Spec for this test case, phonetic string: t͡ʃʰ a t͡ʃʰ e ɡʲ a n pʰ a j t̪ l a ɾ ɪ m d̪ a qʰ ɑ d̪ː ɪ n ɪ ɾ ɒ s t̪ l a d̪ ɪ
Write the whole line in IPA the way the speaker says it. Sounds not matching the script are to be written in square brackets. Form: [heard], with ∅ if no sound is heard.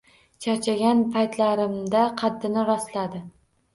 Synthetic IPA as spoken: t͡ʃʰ a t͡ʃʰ [a] ɡʲ a n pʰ a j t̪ l a ɾ ɪ m d̪ a qʰ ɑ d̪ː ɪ n ɪ ɾ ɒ s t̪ l a d̪ ɪ